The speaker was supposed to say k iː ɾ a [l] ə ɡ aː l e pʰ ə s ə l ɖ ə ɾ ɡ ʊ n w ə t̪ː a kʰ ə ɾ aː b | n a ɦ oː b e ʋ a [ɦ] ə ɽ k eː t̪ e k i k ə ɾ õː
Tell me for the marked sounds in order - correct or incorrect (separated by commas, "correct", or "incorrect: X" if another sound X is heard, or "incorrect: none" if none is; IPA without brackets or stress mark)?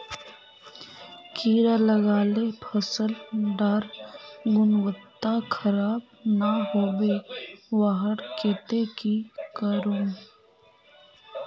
correct, correct